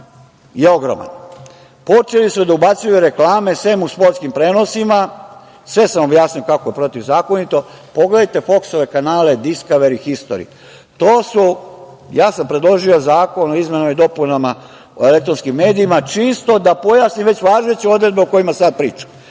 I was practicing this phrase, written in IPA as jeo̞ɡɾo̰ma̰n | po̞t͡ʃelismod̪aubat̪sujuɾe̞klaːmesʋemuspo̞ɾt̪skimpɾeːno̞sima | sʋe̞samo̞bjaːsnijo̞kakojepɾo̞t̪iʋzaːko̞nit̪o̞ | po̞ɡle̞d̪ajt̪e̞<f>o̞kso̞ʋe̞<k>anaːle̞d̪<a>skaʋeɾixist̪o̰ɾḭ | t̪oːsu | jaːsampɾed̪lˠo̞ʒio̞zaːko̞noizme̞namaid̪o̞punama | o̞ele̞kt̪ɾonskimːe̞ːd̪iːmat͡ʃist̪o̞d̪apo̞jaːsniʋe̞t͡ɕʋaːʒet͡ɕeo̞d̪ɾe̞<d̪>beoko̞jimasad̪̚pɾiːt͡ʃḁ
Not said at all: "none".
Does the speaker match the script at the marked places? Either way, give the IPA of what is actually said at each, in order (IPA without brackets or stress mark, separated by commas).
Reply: f, k, i, d̪